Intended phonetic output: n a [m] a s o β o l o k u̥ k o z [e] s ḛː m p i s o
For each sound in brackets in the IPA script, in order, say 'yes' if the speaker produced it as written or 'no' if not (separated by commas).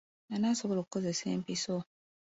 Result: no, yes